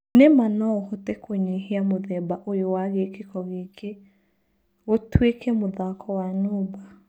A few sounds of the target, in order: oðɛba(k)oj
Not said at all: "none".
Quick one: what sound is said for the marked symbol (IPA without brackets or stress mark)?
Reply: ʔ